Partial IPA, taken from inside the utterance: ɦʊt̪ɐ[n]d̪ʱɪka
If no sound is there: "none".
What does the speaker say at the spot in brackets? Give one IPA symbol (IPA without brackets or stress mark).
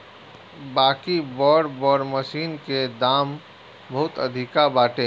none